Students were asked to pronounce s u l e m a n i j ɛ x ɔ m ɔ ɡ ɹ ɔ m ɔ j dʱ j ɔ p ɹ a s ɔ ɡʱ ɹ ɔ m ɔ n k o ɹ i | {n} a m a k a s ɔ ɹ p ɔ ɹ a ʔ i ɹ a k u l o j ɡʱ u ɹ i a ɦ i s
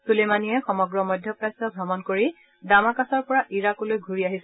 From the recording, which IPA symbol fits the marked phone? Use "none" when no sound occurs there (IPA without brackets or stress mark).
d